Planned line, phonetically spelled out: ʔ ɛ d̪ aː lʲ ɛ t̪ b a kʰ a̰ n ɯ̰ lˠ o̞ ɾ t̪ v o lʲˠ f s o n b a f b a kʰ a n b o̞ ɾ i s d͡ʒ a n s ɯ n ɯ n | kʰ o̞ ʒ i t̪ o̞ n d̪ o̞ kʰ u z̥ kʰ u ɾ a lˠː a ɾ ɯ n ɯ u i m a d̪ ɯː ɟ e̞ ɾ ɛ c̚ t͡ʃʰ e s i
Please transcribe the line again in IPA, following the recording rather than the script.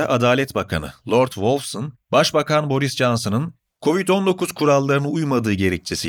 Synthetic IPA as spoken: ʔ a d̪ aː lʲ ɛ t̪ b a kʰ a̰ n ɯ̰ lˠ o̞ ɾ t̪ v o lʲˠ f s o n b a ʃ b a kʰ a n b o̞ ɾ i s d͡ʒ a n s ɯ n ɯ n | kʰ o̞ v i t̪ o̞ n d̪ o̞ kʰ u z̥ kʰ u ɾ a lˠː a ɾ ɯ n ɯ u j m a d̪ ɯː ɟ e̞ ɾ ɛ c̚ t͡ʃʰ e s i